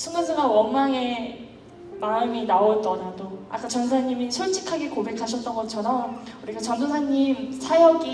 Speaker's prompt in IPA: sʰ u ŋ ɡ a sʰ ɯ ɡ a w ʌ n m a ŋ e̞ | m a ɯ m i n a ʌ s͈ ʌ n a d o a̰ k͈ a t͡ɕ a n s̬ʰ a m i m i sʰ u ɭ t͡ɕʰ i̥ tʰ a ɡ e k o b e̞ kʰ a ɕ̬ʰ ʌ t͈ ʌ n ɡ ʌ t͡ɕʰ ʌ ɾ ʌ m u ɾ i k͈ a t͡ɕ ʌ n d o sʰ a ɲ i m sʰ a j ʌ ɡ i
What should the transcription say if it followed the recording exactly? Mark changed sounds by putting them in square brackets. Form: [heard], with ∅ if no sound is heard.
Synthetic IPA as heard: sʰ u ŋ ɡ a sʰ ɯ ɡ a w ʌ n m a ŋ e̞ | m a ɯ m i n a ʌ [t͈] ʌ n a d o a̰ k͈ a t͡ɕ [ʌ] n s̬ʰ a [ɲ] i m i sʰ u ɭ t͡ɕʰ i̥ [kʰ] a ɡ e k o b e̞ kʰ a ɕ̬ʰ ʌ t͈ ʌ n ɡ ʌ t͡ɕʰ ʌ ɾ ʌ m u ɾ i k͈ a t͡ɕ ʌ n d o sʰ a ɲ i m sʰ a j ʌ ɡ i